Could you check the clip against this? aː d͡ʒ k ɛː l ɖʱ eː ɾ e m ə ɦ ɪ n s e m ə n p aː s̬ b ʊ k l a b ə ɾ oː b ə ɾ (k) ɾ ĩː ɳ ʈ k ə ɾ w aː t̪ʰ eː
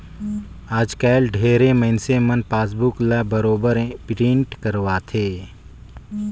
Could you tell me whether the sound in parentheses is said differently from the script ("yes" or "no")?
yes